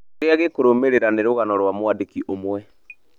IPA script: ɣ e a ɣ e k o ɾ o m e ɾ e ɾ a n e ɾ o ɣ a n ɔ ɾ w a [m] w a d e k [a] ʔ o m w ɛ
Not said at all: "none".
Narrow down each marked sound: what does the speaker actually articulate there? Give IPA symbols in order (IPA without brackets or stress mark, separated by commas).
m, i